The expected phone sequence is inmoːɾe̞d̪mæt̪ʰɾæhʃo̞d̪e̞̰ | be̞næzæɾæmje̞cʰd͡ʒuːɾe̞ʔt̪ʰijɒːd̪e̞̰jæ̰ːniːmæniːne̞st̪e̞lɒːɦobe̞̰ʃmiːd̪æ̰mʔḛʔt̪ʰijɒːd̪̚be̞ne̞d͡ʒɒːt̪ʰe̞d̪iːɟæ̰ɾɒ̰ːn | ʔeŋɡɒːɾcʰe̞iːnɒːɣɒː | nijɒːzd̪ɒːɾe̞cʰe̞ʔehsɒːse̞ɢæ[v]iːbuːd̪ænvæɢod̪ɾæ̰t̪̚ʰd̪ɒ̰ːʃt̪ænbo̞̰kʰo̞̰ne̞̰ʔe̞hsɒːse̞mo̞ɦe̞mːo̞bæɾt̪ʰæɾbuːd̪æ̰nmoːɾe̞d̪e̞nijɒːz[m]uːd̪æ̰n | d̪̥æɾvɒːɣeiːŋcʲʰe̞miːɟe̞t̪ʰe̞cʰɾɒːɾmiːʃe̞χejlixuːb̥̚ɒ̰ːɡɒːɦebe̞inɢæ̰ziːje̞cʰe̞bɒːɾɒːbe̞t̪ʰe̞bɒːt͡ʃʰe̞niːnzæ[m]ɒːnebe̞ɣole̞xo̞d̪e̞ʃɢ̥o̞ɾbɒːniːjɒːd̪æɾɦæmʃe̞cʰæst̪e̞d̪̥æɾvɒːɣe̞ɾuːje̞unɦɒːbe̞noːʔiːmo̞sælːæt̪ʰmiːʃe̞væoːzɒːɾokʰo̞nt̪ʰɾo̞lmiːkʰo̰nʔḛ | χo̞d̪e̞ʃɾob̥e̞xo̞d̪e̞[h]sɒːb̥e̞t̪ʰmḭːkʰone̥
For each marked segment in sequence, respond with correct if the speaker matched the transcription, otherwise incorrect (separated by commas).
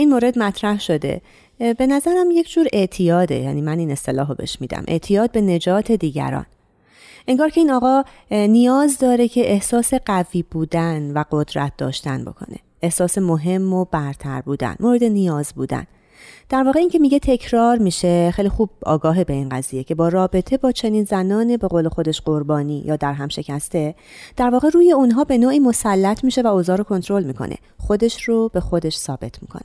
correct, incorrect, incorrect, incorrect